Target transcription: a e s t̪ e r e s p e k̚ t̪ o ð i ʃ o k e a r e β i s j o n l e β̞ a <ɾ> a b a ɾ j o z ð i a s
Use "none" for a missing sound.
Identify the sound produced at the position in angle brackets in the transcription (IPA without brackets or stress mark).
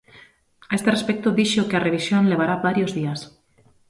ɾ